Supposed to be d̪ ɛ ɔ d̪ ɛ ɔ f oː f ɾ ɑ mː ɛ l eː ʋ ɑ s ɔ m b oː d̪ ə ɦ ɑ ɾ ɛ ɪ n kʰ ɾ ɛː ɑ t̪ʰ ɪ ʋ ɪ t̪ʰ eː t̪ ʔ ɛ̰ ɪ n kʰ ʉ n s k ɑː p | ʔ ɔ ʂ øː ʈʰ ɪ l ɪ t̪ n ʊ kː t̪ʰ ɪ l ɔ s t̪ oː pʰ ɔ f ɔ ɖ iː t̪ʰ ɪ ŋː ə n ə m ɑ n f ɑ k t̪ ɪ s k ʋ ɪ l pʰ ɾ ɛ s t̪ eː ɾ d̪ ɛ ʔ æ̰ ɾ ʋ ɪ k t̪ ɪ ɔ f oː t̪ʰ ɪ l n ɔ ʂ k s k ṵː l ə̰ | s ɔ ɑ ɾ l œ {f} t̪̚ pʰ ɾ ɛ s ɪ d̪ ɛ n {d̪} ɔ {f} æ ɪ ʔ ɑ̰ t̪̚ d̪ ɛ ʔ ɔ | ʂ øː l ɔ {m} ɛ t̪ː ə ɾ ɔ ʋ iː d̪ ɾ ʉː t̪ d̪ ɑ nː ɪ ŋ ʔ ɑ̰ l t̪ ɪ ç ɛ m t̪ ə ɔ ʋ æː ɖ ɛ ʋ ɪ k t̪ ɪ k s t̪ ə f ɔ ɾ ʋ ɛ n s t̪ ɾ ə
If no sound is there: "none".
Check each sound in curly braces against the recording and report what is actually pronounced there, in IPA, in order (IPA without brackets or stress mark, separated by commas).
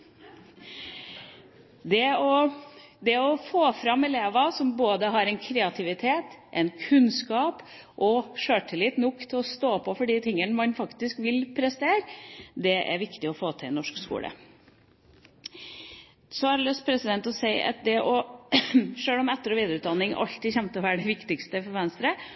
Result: s, t̪, s, m